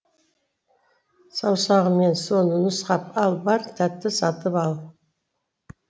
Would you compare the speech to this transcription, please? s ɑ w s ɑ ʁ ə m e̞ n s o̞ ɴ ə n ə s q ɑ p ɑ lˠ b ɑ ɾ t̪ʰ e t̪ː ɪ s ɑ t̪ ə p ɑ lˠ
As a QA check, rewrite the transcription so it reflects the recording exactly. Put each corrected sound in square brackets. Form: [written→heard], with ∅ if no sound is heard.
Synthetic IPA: s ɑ w s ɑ ʁ ə m e̞ n s o̞ [ɴ→n] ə n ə s q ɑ p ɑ lˠ b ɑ ɾ t̪ʰ [e→æ] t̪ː ɪ s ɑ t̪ ə p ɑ lˠ